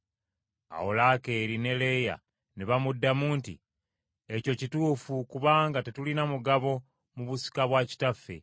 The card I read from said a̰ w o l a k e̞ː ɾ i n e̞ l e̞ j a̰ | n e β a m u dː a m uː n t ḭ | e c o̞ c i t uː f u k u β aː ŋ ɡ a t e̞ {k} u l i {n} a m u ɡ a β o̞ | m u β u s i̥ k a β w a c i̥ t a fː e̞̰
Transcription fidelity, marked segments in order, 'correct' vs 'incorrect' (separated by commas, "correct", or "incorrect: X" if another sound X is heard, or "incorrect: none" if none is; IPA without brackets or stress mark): incorrect: t, correct